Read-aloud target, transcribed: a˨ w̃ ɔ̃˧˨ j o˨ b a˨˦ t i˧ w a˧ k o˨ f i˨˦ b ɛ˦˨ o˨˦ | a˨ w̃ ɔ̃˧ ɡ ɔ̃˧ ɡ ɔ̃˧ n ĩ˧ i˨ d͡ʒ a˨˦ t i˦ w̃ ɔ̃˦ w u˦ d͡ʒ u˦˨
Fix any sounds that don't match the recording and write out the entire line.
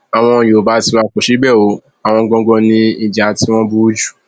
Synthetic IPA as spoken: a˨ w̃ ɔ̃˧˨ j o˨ b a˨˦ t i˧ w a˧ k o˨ ʃ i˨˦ b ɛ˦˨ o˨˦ | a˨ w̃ ɔ̃˧ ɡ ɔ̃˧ ɡ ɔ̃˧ n ĩ˧ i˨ d͡ʒ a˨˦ t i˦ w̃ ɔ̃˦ b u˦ d͡ʒ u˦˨

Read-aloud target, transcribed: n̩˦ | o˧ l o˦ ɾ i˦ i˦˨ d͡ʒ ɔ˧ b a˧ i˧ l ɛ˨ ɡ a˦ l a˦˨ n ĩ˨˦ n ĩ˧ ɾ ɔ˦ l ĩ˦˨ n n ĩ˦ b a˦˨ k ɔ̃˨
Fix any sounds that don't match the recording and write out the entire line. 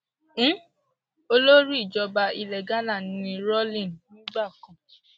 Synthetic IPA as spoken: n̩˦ | o˧ l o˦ ɾ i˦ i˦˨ d͡ʒ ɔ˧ b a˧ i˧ l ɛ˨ ɡ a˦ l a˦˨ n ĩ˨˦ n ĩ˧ ɾ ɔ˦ l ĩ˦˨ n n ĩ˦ ɡ͡b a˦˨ k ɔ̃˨

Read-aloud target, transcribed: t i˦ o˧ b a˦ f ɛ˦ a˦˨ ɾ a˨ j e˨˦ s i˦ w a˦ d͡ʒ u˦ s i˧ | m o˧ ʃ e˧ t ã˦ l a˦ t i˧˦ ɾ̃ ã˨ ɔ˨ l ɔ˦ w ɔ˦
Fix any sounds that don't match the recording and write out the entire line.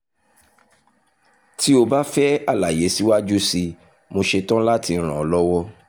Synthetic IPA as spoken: t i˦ o˧ b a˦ f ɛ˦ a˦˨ l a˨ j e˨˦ s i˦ w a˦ d͡ʒ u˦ s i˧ | m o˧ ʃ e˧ t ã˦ l a˦ t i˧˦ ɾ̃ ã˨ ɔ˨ l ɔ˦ w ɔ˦

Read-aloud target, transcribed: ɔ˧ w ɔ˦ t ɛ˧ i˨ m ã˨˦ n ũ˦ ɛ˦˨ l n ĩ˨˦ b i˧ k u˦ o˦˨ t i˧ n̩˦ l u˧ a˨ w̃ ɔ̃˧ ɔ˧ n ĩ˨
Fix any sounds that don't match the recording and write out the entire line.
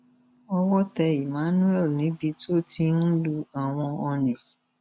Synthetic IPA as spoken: ɔ˧ w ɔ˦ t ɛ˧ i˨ m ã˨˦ n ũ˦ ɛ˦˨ l n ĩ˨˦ b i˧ t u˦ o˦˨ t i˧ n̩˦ l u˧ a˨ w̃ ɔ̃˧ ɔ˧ n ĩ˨

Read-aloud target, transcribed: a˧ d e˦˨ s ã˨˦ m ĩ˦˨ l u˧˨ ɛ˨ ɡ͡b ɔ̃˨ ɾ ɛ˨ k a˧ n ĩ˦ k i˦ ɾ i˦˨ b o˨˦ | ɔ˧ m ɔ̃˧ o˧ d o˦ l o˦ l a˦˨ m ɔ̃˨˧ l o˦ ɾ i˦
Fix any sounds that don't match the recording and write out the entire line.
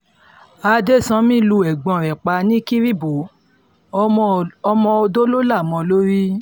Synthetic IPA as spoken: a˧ d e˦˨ s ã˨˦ m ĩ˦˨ l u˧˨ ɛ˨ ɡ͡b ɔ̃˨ ɾ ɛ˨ k͡p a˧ n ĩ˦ k i˦ ɾ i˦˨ b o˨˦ | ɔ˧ m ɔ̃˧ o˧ d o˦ l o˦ l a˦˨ m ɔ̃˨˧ l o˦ ɾ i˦

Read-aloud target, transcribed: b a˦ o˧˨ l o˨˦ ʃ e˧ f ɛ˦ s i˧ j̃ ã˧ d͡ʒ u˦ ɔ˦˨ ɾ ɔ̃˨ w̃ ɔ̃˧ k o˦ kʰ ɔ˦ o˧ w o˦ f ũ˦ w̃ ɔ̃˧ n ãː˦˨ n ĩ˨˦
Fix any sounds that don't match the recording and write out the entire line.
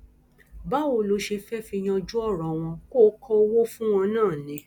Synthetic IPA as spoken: b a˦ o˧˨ l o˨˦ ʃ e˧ f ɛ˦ f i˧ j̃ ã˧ d͡ʒ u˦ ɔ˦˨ ɾ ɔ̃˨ w̃ ɔ̃˧ k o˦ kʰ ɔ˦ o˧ w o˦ f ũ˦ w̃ ɔ̃˧ n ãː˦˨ n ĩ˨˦

